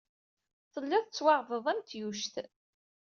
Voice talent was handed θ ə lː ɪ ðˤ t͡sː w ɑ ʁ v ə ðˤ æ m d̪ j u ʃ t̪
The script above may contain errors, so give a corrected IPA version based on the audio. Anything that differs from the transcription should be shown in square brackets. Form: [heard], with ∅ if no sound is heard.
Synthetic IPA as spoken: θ ə lː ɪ ðˤ t͡sː w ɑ ʁ v ə ðˤ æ m [t̪] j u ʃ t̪